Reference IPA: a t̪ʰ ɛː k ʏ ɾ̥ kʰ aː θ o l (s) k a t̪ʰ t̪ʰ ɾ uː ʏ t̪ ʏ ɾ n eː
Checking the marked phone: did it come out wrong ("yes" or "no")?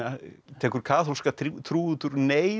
no